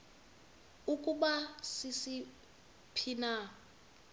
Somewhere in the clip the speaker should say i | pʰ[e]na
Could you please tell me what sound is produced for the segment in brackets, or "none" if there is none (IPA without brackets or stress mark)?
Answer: i